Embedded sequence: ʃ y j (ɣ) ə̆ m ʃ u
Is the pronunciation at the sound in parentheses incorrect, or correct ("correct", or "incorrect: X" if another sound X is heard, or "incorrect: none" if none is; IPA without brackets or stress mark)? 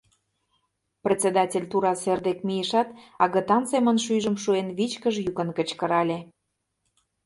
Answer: incorrect: ʒ